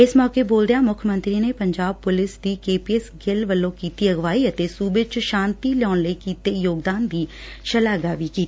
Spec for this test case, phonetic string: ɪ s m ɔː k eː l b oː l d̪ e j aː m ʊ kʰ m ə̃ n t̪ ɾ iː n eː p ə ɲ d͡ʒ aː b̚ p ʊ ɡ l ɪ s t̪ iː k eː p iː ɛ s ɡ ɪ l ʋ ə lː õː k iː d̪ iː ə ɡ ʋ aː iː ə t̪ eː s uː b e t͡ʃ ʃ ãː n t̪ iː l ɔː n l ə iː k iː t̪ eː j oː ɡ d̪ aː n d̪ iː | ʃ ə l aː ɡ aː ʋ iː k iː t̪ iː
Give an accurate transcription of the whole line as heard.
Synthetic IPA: ɪ s m ɔː k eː b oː l d̪ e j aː m ʊ kʰ m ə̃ n t̪ ɾ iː n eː p ə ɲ d͡ʒ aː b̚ p ʊ l ɪ s d̪ iː k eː p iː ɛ s ɡ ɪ l ʋ ə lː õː k iː t̪ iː ə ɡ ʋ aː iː ə t̪ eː s uː b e t͡ʃ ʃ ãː n t̪ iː l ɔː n l ə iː k iː t̪ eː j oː ɡ d̪ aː n d̪ iː | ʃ ə l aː ɡ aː ʋ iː k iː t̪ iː